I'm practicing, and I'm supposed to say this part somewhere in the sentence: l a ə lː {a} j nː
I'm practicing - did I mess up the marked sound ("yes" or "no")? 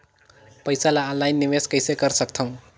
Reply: no